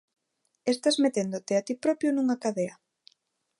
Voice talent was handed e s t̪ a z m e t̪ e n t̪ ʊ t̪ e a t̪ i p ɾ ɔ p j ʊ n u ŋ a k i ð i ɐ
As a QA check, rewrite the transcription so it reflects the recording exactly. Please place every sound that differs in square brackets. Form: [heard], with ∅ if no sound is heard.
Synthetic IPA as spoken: e s t̪ a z m e t̪ e n [d̪] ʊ t̪ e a t̪ i p ɾ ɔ p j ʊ n u ŋ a k [a] ð [e] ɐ